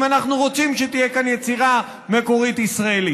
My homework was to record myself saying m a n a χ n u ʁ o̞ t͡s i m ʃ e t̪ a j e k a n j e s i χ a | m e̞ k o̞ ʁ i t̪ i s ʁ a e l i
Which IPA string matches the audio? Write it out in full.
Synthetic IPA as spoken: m a n a χ n u ʁ o̞ t͡s i m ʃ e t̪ i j e k a n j e t͡s i ʁ a | m e̞ k o̞ ʁ i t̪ i s ʁ a e l i